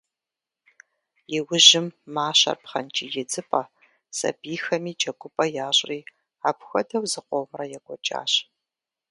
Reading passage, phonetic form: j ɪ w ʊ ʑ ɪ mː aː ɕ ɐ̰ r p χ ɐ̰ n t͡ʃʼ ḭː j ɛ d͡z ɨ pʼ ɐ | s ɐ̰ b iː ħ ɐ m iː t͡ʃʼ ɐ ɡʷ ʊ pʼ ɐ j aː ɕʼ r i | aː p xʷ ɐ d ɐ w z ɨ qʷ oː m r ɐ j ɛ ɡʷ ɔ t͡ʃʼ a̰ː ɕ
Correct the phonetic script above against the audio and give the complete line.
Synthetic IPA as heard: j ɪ w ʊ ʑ ɪ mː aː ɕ ɐ̰ r p χ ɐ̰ n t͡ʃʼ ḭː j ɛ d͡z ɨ pʼ ɐ | s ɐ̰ b iː x ɐ m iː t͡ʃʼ ɐ ɡʷ ʊ pʼ ɐ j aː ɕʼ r iː | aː p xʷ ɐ d ɐ w z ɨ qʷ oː m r ɐ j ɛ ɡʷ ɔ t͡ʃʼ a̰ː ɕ